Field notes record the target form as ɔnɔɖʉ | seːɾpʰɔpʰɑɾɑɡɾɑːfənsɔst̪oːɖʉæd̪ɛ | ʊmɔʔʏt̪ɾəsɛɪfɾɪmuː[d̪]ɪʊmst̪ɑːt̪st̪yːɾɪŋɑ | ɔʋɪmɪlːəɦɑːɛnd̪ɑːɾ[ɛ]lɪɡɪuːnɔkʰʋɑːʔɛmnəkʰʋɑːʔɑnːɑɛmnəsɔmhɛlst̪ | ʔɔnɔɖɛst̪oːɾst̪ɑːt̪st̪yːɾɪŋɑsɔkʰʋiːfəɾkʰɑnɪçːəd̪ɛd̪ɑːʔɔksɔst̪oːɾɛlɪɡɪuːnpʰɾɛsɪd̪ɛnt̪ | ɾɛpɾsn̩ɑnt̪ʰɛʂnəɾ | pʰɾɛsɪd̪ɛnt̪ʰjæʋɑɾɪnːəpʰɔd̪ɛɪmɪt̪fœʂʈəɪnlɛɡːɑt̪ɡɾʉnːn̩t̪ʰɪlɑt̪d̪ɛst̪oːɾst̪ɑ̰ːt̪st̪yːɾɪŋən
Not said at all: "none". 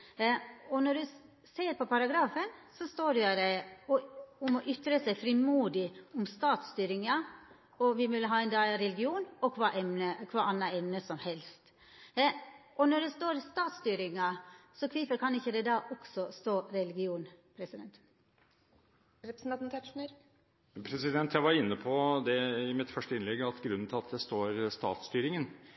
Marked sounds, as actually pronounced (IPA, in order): d̪, ɛ

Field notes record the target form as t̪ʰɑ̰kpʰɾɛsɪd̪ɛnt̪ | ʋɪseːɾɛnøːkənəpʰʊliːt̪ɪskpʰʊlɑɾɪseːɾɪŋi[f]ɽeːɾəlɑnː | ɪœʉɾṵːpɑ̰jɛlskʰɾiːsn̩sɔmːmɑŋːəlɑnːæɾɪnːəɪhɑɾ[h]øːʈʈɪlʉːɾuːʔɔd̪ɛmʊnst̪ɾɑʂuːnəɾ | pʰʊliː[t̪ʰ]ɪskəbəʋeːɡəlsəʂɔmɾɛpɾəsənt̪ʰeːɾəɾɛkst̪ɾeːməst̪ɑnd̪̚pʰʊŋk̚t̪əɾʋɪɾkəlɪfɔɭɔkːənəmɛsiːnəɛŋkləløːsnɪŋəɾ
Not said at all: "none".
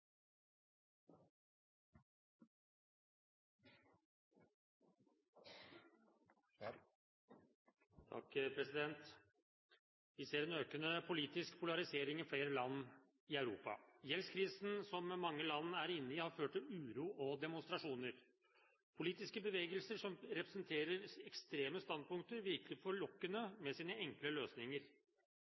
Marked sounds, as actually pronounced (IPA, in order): f, f, t̪

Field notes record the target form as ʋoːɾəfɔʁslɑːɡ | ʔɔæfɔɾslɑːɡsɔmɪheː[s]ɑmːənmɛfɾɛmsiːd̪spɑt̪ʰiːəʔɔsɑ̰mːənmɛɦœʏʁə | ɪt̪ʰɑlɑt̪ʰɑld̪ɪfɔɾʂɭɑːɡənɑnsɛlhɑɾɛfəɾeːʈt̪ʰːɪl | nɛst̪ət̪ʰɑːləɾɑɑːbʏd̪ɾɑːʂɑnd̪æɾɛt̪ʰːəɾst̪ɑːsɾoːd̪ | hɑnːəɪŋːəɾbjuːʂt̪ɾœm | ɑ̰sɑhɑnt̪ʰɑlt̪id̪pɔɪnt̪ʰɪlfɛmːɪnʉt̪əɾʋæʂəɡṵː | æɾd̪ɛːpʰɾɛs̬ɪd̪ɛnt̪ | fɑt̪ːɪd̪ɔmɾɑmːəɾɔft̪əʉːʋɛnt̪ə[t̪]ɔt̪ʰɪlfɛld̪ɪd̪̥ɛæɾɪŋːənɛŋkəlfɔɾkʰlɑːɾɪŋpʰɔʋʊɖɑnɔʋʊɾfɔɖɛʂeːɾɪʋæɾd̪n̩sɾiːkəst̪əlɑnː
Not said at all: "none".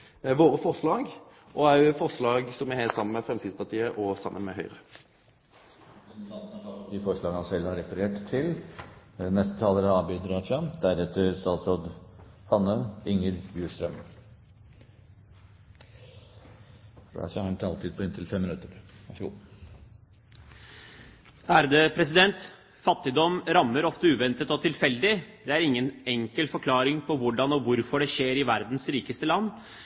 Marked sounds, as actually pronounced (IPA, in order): s, t̪

